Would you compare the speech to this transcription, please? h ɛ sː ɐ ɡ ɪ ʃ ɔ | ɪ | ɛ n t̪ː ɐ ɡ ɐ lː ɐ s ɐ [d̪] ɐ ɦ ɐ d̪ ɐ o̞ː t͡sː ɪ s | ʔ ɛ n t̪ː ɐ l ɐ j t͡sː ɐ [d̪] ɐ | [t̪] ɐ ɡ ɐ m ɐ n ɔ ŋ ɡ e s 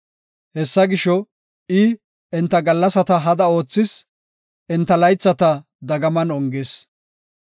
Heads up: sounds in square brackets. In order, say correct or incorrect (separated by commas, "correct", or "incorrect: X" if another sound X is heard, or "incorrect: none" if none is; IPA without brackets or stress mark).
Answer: incorrect: t̪, incorrect: t̪, incorrect: d̪